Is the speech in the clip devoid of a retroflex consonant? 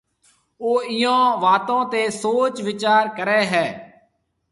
yes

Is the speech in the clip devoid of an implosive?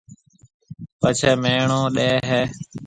no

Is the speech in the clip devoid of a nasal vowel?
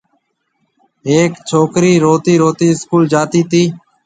yes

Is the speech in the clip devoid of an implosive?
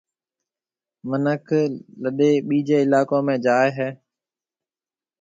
no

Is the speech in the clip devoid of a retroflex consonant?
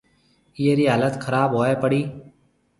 no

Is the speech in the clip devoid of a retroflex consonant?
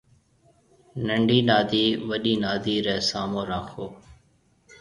no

